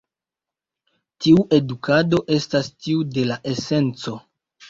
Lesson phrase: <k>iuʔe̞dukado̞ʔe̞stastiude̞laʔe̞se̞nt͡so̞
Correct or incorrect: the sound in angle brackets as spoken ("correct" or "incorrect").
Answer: incorrect